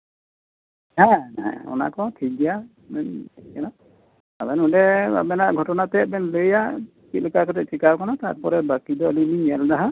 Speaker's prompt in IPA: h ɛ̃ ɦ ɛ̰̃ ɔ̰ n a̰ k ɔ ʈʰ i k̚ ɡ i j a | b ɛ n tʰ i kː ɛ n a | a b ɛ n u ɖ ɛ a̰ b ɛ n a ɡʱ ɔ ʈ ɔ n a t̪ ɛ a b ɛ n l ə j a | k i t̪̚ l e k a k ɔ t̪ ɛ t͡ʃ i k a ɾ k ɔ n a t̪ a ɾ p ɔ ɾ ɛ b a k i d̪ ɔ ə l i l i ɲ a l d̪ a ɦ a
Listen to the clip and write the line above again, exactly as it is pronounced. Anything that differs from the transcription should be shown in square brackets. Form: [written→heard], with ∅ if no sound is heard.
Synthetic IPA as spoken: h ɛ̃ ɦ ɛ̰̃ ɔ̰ n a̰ k ɔ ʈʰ i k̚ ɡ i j a | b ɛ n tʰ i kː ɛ n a | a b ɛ n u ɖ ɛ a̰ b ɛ n a ɡʱ ɔ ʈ ɔ n a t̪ ɛ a b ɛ n l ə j a | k i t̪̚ l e k a k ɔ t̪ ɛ t͡ʃ i k a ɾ k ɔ n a t̪ a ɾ p ɔ ɾ ɛ b a k i d̪ ɔ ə l i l i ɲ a l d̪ a ɦ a